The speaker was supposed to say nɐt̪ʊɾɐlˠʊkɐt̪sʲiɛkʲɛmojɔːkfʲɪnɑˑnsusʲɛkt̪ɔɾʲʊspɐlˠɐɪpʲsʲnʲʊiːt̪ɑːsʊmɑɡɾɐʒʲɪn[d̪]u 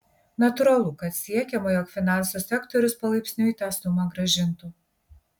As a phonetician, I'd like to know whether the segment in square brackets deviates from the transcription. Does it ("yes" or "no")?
yes